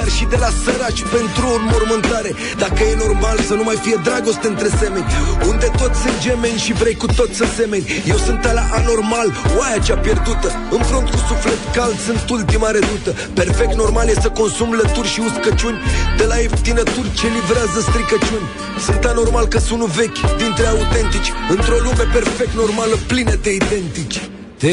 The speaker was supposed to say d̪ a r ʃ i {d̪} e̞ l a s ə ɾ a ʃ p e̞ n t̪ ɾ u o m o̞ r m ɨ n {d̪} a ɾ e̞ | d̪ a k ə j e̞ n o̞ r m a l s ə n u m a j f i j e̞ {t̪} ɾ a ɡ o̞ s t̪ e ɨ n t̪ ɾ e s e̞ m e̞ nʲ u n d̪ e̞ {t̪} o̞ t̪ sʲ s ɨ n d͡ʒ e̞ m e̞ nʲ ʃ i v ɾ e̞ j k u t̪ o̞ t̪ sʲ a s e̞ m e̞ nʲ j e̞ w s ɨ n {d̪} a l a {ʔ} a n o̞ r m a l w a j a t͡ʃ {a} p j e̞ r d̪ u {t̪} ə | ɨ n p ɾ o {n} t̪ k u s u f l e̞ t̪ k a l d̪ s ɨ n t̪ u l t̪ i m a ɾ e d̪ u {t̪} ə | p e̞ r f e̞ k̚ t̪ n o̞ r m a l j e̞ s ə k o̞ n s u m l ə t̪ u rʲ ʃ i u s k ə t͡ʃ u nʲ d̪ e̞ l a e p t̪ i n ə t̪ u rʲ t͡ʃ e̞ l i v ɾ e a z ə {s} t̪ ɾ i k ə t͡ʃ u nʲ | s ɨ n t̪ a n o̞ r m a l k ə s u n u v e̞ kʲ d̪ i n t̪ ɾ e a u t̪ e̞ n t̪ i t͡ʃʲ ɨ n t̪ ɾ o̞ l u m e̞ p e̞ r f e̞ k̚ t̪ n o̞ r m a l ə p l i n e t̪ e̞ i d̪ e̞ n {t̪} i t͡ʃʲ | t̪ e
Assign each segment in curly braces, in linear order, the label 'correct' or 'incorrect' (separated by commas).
correct, incorrect, incorrect, correct, incorrect, correct, correct, correct, correct, correct, correct, correct